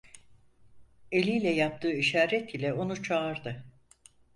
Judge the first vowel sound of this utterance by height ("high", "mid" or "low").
mid